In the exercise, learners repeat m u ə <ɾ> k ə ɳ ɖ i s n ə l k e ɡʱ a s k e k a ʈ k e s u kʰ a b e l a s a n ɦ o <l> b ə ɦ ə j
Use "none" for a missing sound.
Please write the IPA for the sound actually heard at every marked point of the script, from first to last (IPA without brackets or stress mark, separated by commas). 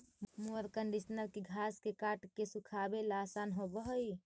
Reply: ɾ, none